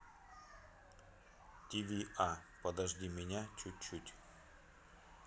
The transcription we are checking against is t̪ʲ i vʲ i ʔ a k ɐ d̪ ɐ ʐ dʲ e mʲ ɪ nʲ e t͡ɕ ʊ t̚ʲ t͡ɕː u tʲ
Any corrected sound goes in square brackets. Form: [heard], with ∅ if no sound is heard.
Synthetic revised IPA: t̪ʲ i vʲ i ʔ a [p] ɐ d̪ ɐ ʐ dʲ [i] mʲ ɪ nʲ [a] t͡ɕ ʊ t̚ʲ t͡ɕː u tʲ